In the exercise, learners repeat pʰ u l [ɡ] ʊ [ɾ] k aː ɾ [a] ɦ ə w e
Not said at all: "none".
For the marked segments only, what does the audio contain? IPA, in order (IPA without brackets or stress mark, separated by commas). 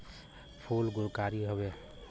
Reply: ɡ, ɾ, i